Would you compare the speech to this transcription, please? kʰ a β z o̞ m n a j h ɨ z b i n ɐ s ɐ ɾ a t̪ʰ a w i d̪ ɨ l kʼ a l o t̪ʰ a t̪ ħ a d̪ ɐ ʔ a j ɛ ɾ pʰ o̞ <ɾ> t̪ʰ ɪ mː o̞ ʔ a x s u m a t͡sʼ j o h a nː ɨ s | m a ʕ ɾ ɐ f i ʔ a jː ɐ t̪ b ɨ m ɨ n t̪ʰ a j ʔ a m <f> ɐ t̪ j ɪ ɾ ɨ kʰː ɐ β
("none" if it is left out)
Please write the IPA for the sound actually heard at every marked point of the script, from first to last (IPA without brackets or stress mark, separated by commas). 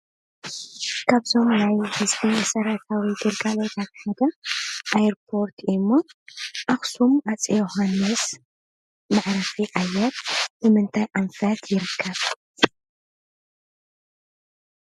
ɾ, f